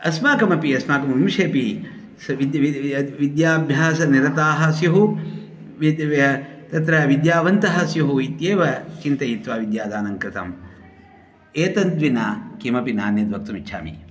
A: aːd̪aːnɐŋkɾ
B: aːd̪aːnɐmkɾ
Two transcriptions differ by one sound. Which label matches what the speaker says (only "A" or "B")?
A